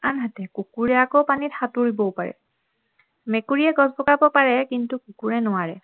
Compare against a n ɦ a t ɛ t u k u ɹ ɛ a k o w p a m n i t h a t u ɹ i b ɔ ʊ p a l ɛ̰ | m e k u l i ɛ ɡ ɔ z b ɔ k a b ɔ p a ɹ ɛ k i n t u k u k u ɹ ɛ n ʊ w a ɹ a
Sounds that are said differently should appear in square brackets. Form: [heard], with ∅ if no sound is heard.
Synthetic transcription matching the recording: a n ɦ a t ɛ [k] u k u ɹ ɛ a k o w p a [∅] n i t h a t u ɹ i b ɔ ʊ p a [ɹ] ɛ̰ | m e k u [ɹ] i ɛ ɡ ɔ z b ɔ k a b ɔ p a ɹ ɛ k i n t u k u k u ɹ ɛ n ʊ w a ɹ [ɛ]